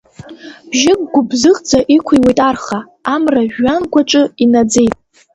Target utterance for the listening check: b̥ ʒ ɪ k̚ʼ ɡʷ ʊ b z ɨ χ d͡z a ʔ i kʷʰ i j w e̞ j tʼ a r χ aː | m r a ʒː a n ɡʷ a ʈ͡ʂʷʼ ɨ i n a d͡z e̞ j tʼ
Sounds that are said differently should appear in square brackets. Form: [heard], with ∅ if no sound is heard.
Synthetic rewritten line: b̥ ʒ ɪ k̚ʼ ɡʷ ʊ b z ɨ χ d͡z a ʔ i kʷʰ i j w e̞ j tʼ a r χ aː | m r a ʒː a n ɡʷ a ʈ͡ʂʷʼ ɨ i n a d͡z e̞ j tʼ